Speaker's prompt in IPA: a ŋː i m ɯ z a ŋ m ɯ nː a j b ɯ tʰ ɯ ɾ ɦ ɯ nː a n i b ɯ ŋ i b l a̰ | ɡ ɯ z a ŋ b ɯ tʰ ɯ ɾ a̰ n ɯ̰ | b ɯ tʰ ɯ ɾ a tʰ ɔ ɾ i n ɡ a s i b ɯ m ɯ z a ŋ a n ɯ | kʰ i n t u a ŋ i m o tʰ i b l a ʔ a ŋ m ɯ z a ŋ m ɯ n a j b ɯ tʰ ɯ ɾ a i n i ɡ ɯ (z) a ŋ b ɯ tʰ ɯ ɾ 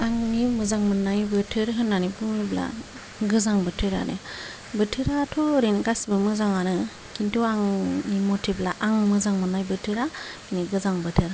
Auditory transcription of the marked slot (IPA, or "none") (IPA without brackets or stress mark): z